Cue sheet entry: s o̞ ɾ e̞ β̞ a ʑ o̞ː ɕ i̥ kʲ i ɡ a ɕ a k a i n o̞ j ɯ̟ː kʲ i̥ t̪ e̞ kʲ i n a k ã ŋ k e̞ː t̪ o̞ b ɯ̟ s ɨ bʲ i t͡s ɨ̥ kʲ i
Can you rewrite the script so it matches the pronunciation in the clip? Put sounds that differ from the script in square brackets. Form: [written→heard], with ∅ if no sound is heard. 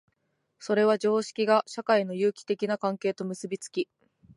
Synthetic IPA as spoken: s o̞ ɾ e̞ β̞ a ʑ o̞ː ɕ i̥ kʲ i ɡ a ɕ a k a i n o̞ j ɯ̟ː kʲ i̥ t̪ e̞ kʲ i n a k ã ŋ k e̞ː t̪ o̞ [b→m] ɯ̟ s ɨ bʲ i t͡s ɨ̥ kʲ i